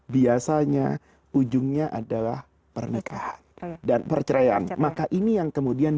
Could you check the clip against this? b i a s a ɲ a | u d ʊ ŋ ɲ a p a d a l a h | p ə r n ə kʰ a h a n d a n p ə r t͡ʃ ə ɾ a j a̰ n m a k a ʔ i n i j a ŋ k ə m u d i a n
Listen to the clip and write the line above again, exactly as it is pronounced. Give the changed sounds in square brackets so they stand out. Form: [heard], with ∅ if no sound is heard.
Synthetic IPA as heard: b i a s a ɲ a | u [d͡ʒ] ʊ ŋ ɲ a [ʔ] a d a l a h | p ə r n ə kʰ a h a n d a n p ə r t͡ʃ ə ɾ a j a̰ n m a k a ʔ i n i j a ŋ k ə m u d i a n